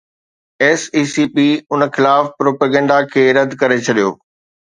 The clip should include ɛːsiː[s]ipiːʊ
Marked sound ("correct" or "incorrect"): correct